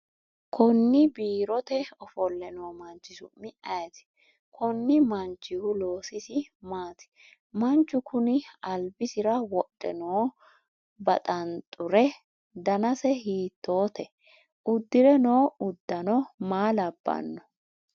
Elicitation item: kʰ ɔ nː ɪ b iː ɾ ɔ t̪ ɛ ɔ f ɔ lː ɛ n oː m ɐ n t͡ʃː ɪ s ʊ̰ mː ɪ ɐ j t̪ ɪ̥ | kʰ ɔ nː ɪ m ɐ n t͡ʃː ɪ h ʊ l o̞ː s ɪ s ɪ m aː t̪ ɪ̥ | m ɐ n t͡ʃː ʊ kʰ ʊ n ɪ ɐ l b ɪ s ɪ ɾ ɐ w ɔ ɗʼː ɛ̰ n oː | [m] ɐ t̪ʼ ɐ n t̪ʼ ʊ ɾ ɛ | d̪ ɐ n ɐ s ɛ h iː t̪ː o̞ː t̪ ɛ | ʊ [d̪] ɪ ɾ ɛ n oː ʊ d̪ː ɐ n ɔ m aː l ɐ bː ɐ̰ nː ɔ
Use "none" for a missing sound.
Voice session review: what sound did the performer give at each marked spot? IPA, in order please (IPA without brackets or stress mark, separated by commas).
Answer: b, d̪ː